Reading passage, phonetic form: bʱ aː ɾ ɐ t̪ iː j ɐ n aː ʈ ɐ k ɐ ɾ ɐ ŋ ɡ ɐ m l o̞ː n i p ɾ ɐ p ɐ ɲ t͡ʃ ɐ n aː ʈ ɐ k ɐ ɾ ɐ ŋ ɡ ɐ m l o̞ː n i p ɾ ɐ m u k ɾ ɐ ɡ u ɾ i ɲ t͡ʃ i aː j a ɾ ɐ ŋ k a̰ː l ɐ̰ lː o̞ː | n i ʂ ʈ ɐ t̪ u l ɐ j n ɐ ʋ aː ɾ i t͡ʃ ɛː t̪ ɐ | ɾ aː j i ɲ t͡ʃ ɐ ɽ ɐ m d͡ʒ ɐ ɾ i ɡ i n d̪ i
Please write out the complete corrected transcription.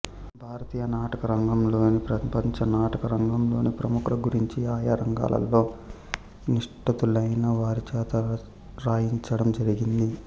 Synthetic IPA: bʱ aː ɾ ɐ t̪ iː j ɐ n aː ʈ ɐ k ɐ ɾ ɐ ŋ ɡ ɐ m l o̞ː n i p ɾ ɐ p ɐ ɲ t͡ʃ ɐ n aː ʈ ɐ k ɐ ɾ ɐ ŋ ɡ ɐ m l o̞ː n i p ɾ ɐ m u k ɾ ɐ ɡ u ɾ i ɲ t͡ʃ i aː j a ɾ ɐ ŋ ɡ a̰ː l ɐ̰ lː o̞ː | n i ʂ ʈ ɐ t̪ u l ɐ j n ɐ ʋ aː ɾ i t͡ʃ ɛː t̪ ɐ | ɾ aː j i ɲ t͡ʃ ɐ ɽ ɐ m d͡ʒ ɐ ɾ i ɡ i n d̪ i